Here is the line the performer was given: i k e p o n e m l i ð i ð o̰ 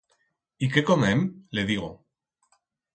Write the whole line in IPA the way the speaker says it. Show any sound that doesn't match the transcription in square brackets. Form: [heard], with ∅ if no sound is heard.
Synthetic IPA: i k e [k] o [m] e m l [e] ð i [ɣ] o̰